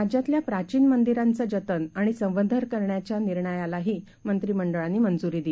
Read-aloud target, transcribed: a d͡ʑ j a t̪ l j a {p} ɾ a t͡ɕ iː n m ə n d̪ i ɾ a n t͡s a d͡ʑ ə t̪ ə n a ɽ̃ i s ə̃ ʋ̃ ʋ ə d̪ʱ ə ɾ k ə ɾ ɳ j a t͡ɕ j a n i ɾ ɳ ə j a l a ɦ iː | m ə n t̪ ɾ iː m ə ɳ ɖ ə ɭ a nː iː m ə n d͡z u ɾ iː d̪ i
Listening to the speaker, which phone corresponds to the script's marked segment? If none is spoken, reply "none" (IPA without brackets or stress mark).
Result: p